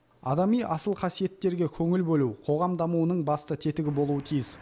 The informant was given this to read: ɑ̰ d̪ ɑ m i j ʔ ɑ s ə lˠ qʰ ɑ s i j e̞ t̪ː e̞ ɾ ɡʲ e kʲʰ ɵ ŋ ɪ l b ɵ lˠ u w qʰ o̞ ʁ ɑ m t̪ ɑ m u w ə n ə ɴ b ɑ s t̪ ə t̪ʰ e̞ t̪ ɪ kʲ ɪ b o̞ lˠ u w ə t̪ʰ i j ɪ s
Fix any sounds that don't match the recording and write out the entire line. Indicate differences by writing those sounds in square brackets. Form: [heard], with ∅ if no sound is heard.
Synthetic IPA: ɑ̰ d̪ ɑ m i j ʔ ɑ s ə lˠ qʰ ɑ s i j e̞ t̪ː e̞ ɾ ɡʲ e kʲʰ ɵ ŋ ɪ l b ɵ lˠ u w qʰ o̞ ʁ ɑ m [d̪] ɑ m u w ə n ə ɴ b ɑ s t̪ ə t̪ʰ e̞ t̪ ɪ [ɡʲ] ɪ b o̞ lˠ u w ə t̪ʰ i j ɪ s